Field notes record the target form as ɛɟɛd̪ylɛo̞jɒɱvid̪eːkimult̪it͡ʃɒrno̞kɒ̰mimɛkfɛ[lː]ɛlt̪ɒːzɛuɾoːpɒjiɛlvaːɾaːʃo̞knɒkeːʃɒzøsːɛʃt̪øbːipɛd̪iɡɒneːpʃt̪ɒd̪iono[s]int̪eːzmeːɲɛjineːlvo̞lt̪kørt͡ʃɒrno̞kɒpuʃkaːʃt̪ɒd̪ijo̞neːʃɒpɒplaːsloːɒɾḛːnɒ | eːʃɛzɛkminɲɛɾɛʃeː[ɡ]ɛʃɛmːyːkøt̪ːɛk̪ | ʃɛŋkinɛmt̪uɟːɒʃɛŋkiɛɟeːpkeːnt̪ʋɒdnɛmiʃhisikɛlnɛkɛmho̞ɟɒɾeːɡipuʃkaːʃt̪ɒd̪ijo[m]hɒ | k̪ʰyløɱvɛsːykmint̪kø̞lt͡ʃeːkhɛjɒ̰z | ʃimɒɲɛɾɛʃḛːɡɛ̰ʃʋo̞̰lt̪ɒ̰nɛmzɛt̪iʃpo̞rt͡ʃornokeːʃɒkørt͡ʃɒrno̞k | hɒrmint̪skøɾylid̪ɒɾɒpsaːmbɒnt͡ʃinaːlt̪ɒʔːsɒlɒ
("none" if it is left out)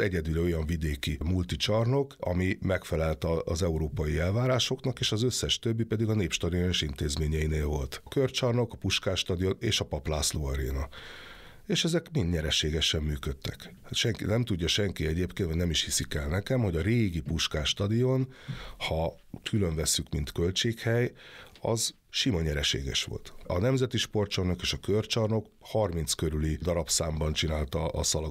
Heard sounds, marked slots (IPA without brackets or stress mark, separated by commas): l, ʃ, ɡ, n